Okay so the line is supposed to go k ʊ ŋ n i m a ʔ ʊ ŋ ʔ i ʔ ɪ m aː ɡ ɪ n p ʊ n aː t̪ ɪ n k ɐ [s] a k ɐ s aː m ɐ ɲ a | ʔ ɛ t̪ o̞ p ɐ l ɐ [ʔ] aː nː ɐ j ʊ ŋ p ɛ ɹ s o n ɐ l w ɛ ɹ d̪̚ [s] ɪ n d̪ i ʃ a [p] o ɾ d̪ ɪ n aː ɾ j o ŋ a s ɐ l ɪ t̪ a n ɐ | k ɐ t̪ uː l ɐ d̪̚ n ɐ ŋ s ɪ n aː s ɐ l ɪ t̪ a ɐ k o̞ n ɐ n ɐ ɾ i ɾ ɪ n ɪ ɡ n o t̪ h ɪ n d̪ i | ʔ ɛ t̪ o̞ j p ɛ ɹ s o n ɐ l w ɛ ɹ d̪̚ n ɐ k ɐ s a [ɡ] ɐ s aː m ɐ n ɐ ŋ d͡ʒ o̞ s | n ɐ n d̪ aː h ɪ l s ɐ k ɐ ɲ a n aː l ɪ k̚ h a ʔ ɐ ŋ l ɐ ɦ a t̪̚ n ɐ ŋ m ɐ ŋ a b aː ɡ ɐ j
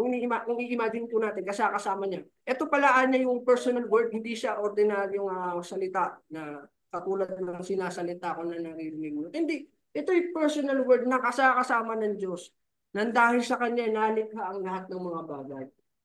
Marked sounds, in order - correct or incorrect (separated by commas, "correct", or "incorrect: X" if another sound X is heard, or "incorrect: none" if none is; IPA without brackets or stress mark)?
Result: correct, correct, incorrect: h, incorrect: ʔ, incorrect: k